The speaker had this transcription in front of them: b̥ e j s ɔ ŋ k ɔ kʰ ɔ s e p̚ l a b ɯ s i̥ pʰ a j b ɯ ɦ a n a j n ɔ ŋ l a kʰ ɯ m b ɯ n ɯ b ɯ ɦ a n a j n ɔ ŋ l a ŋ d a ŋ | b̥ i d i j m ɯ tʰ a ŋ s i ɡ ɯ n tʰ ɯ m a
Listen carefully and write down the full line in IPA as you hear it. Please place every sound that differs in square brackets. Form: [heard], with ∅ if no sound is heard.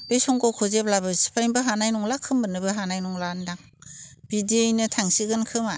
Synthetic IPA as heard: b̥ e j s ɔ ŋ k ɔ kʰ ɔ [z] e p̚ l a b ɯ s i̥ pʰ a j b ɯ ɦ a n a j n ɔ ŋ l a kʰ ɯ m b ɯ n ɯ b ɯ ɦ a n a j n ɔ ŋ l a [n] d a ŋ | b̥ i d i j [n] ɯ tʰ a ŋ s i ɡ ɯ n [kʰ] ɯ m a